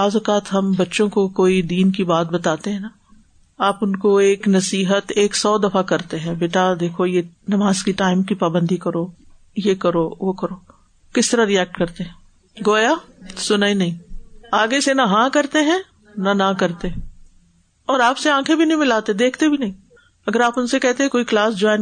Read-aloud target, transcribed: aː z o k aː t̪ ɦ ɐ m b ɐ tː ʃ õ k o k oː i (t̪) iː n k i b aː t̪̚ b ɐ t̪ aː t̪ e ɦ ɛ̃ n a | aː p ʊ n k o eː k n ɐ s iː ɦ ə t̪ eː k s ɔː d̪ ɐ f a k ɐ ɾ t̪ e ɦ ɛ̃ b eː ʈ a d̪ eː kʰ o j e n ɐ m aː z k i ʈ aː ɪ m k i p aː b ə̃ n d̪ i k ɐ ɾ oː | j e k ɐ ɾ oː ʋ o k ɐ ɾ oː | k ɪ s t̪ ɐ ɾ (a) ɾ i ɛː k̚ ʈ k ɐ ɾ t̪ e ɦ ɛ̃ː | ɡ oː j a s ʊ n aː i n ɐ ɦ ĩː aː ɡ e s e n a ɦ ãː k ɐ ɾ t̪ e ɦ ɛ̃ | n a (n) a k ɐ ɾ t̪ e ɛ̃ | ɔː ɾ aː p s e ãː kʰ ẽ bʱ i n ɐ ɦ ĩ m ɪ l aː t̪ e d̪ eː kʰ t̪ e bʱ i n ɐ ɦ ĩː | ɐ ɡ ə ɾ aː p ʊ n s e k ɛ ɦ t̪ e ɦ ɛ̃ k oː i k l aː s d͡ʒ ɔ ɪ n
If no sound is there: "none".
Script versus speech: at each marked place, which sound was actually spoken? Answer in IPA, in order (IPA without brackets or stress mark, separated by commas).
d̪, a, n